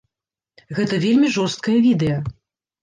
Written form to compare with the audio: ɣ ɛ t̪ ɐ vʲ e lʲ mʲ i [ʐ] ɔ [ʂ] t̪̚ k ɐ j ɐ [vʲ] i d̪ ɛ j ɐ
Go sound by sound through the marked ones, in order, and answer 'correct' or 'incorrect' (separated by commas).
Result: correct, incorrect, correct